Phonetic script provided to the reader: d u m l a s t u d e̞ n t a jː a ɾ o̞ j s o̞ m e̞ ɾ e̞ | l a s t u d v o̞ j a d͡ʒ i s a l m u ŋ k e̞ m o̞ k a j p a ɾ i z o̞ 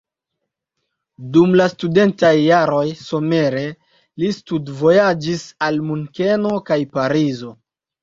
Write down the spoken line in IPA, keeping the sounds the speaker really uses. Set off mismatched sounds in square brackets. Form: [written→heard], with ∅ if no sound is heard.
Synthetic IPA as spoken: d u m l a s t u d e̞ n t a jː a ɾ o̞ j s o̞ m e̞ ɾ e̞ | l [a→i] s t u d v o̞ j a d͡ʒ i s a l m u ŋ k e̞ [m→n] o̞ k a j p a ɾ i z o̞

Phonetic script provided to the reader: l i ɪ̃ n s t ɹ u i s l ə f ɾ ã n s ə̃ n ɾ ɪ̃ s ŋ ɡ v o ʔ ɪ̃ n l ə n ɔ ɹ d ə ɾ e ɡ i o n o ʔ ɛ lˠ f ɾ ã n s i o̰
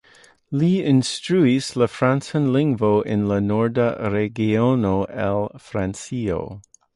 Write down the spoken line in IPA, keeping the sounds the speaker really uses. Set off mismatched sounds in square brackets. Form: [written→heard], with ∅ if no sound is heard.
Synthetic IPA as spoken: l i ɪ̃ n s t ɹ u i s l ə f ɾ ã n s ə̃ n [ɾ→l] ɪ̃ [s→∅] ŋ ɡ v o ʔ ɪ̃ n l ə n ɔ ɹ d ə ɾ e ɡ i o n o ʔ ɛ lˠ f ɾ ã n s i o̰

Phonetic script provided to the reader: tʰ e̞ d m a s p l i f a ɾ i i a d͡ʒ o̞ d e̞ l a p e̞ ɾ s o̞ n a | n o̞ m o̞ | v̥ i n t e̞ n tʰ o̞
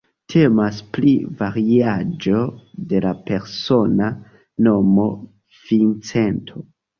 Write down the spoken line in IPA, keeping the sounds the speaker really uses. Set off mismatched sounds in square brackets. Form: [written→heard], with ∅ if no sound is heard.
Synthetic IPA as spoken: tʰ e̞ [d→∅] m a s p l i [f→v] a ɾ i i a d͡ʒ o̞ d e̞ l a p e̞ ɾ s o̞ n a | n o̞ m o̞ | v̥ i n [t→t͡s] e̞ n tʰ o̞

